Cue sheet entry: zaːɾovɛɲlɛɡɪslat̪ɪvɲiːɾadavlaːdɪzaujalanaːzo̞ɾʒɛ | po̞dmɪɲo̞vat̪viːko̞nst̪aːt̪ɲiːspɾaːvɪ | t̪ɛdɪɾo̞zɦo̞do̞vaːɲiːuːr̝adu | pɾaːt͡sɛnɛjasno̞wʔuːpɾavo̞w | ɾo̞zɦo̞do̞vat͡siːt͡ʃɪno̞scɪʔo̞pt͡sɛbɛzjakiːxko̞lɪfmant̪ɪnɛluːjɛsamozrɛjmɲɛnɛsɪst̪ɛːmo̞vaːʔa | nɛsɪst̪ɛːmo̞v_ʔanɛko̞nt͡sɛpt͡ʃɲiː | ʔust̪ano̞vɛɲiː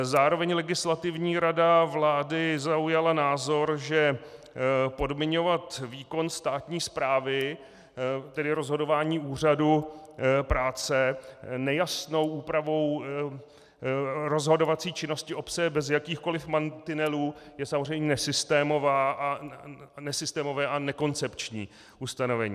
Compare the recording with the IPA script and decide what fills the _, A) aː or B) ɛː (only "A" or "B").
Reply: B